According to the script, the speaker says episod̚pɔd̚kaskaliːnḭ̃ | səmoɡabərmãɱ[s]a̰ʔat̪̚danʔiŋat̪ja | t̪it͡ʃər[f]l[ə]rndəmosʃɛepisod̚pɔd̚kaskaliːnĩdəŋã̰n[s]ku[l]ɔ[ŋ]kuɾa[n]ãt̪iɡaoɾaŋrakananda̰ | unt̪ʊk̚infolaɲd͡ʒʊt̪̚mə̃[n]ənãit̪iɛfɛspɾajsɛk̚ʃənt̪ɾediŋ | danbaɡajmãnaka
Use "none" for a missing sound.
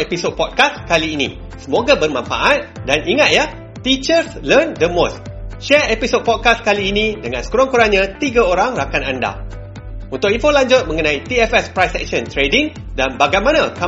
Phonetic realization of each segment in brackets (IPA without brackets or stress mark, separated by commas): f, s, ə, s, ɾ, ŋ, ɲ, ŋ